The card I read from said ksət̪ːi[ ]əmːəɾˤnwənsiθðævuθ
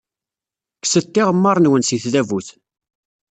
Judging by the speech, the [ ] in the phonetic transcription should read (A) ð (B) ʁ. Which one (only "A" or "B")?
B